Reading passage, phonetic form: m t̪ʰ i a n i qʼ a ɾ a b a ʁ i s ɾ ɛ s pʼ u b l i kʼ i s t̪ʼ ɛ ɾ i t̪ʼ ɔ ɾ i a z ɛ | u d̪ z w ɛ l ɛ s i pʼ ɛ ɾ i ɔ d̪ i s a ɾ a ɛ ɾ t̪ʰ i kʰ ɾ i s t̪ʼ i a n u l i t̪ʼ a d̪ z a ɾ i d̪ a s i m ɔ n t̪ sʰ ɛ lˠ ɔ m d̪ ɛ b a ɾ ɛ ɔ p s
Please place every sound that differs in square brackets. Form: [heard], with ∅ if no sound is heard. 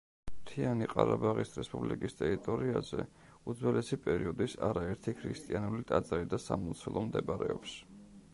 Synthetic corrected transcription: m t̪ʰ i a n i qʼ a ɾ a b a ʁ i s ɾ ɛ s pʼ u b l i kʼ i s t̪ʼ ɛ ɾ i t̪ʼ ɔ ɾ i a z ɛ | u d̪ z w ɛ l ɛ s i pʼ ɛ ɾ i ɔ d̪ i s a ɾ a ɛ ɾ t̪ʰ i kʰ ɾ i s t̪ʼ i a n u l i t̪ʼ a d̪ z a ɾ i d̪ a s [a] m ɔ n t̪ sʰ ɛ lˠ ɔ m d̪ ɛ b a ɾ ɛ ɔ p s